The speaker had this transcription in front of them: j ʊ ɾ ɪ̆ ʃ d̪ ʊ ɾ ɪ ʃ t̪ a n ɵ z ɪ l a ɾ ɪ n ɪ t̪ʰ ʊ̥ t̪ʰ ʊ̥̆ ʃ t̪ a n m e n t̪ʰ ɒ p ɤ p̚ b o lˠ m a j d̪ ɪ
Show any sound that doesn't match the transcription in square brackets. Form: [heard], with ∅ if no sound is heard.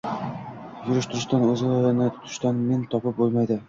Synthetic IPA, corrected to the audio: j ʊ ɾ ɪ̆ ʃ [t̪] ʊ ɾ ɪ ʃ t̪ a n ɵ z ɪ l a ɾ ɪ n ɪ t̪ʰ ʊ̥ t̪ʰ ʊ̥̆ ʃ t̪ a n m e n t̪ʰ ɒ p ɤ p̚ b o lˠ m a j d̪ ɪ